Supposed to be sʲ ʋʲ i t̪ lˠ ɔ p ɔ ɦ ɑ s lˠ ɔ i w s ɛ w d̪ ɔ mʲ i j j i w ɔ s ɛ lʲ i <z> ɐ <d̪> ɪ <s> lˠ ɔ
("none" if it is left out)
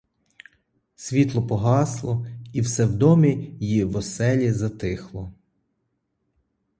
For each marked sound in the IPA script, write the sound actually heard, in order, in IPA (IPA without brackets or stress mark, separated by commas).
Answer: z, t̪, x